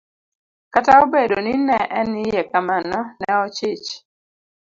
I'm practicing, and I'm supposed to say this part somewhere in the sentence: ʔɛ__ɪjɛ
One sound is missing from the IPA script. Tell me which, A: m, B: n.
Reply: B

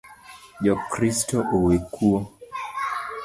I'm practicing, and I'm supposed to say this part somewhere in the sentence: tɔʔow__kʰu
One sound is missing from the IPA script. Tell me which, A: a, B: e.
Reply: B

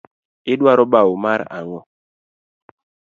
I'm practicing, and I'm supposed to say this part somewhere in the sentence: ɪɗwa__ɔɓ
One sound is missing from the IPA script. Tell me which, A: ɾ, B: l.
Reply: A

